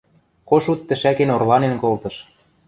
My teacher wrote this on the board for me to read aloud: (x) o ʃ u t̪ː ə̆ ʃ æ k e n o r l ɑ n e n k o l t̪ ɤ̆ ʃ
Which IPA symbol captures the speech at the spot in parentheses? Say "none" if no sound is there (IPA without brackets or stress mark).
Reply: k